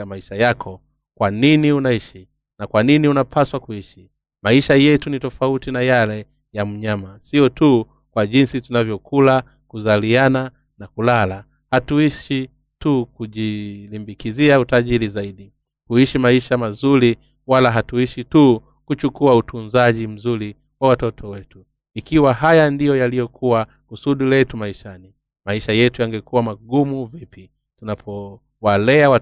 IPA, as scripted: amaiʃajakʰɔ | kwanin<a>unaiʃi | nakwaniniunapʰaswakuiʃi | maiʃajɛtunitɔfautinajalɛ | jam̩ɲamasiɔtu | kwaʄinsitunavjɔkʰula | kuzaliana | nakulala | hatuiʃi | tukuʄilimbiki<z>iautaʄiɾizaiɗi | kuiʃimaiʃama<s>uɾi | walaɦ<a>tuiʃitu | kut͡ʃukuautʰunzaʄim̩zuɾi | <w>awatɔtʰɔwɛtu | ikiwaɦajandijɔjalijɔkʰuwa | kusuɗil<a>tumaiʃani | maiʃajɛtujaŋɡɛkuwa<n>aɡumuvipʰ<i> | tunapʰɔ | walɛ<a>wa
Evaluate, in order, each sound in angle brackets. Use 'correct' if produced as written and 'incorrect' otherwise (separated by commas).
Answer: incorrect, correct, incorrect, correct, correct, incorrect, incorrect, correct, correct